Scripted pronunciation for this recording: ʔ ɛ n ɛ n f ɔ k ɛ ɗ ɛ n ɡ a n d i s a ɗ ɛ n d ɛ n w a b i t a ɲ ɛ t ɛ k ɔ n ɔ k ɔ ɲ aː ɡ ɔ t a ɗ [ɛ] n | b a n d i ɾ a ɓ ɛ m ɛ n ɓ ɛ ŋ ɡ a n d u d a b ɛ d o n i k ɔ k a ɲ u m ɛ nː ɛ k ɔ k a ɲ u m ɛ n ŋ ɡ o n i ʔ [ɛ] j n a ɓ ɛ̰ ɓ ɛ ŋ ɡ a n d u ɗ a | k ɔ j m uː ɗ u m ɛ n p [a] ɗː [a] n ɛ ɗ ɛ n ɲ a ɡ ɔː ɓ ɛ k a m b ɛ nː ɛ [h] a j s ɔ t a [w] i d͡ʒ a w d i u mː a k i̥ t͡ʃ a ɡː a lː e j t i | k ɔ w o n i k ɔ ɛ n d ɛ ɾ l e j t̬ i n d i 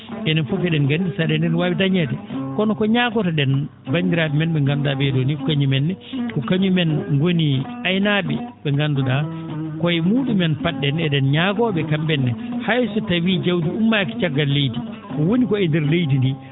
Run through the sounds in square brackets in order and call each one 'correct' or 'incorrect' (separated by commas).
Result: correct, incorrect, correct, incorrect, correct, correct